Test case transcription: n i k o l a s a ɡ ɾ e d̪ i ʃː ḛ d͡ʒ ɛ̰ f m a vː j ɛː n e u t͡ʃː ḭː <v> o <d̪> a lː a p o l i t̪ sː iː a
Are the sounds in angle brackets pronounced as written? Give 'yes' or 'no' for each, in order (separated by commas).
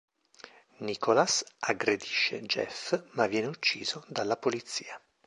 no, yes